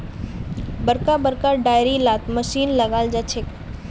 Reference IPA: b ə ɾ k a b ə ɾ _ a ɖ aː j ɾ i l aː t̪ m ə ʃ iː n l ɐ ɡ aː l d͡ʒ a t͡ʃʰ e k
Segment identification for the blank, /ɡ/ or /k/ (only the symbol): k